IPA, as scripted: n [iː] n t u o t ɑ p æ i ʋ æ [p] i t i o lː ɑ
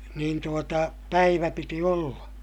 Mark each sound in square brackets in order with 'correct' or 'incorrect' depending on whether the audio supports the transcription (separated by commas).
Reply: correct, correct